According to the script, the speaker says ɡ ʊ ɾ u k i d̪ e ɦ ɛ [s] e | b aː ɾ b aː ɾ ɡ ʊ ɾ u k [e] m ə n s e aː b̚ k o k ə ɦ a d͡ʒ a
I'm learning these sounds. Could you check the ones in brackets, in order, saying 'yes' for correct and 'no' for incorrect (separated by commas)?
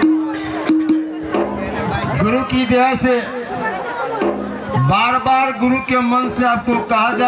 yes, yes